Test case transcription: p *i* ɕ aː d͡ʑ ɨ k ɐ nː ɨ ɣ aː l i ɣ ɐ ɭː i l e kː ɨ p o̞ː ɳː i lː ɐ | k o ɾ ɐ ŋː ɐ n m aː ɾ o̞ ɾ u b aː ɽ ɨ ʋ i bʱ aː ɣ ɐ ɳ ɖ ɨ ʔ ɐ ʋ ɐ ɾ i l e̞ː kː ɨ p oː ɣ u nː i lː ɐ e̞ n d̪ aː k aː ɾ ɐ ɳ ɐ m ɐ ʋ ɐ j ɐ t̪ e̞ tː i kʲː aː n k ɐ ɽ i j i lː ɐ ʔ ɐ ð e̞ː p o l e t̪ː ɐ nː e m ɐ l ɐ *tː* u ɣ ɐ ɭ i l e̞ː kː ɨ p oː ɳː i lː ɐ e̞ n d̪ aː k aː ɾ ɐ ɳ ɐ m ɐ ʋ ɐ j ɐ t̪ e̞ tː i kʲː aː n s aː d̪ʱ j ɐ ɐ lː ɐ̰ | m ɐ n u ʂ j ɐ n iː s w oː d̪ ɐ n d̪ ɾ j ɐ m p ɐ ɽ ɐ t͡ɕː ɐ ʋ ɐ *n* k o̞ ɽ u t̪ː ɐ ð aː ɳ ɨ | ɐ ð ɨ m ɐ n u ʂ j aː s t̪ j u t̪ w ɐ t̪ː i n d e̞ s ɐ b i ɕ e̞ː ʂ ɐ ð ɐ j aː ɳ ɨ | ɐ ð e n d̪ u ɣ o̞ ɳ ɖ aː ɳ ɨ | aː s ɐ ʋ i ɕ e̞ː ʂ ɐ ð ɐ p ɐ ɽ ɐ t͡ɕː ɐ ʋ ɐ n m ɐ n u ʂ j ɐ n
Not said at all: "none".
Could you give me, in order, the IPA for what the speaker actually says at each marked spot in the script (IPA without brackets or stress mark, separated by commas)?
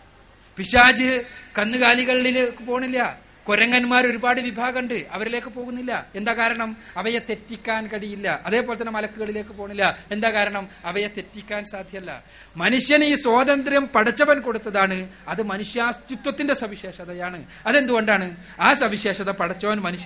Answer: i, kː, n